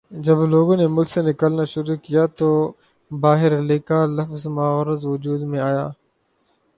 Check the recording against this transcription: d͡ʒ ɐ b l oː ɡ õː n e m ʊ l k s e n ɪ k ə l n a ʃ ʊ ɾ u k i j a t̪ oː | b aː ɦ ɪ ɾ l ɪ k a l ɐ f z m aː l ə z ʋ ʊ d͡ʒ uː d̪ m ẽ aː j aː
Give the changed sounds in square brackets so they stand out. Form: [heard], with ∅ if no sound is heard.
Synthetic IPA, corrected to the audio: d͡ʒ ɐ b l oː ɡ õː n e m ʊ l k s e n ɪ k ə l n a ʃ ʊ ɾ u k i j a t̪ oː | b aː ɦ ɪ ɾ l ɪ k a l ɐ f z m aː [ɾ] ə z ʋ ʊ d͡ʒ uː d̪ m ẽ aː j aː